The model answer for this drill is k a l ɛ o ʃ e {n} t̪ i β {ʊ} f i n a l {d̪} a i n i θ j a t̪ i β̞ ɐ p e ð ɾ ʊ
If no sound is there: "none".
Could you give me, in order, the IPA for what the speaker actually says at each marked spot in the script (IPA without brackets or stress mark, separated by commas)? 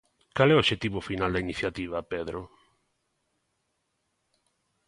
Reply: none, ʊ, d̪